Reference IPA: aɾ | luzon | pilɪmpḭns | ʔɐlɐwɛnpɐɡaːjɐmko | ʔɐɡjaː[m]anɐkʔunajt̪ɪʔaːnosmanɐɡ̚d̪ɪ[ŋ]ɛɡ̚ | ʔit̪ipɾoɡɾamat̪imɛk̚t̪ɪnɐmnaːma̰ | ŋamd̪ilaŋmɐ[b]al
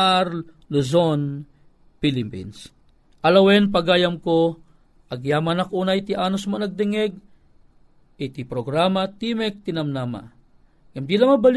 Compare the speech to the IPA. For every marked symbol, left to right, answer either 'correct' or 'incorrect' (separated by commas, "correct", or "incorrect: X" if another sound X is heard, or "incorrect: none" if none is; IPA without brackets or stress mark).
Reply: correct, correct, correct